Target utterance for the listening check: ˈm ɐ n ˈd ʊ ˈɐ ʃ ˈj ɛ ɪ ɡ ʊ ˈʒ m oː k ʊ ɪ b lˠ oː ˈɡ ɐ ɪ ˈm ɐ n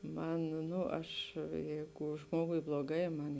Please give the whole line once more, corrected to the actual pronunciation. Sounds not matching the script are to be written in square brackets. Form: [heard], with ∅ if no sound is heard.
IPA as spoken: ˈm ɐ n [ˈn] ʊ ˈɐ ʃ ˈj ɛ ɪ ɡ ʊ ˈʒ m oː [ɡ] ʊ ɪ b lˠ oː ˈɡ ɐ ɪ ˈm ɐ n